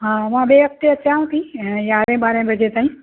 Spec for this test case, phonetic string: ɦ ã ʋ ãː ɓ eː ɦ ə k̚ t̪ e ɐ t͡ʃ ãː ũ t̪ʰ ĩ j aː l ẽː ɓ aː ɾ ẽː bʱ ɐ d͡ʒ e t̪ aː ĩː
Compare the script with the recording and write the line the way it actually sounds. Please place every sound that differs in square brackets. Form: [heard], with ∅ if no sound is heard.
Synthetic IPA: ɦ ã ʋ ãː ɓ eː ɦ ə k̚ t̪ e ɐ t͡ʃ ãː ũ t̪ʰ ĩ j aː [ɾ] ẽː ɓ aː ɾ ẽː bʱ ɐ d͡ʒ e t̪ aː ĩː